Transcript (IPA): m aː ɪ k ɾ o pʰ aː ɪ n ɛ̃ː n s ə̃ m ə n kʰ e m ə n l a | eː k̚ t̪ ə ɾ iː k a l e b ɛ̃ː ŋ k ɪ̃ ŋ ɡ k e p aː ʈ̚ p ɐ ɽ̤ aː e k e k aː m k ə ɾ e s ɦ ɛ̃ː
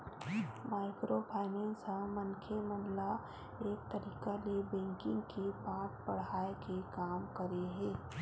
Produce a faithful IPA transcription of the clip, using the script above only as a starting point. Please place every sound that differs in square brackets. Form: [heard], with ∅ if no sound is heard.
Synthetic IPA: m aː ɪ k ɾ o pʰ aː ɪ n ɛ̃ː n s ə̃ m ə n kʰ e m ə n l a | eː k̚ t̪ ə ɾ iː k a l e b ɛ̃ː ŋ k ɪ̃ ŋ ɡ k e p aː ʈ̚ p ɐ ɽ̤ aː e k e k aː m k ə ɾ e [∅] ɦ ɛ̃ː